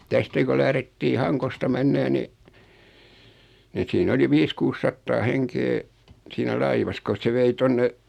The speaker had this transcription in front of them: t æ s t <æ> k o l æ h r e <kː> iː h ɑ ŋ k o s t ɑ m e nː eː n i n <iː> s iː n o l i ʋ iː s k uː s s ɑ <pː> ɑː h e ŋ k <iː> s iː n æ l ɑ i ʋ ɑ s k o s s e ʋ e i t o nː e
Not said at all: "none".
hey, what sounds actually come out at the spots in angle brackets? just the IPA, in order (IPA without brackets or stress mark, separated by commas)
æ, tː, i, tː, eː